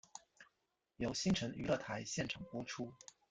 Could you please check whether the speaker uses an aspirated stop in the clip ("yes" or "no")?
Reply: yes